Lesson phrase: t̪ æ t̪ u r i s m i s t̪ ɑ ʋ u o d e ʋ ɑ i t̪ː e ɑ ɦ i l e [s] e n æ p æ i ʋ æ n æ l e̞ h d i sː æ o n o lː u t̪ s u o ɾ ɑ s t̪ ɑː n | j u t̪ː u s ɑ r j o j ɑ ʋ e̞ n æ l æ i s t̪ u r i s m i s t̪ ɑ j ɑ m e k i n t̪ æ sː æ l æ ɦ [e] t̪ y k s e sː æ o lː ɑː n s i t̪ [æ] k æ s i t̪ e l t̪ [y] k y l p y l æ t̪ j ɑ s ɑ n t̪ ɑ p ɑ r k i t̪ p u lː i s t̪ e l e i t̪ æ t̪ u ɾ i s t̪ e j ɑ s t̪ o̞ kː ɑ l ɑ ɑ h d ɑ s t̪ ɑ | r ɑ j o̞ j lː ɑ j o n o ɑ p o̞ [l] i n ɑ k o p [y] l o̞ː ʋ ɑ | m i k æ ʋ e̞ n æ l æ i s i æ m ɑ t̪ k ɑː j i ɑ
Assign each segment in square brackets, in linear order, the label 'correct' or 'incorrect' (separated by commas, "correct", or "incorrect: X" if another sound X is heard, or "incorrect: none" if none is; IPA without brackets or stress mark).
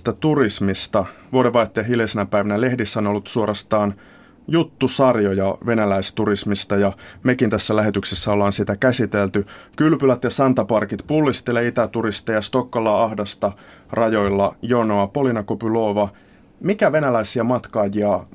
correct, correct, correct, correct, correct, correct